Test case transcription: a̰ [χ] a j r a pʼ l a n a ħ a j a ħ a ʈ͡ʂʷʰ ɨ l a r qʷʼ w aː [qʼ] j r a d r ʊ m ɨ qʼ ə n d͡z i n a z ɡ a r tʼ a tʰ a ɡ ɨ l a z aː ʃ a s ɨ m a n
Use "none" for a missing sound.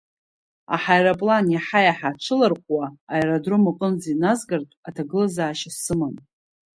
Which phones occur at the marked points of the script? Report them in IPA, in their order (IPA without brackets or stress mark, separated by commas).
ħ, none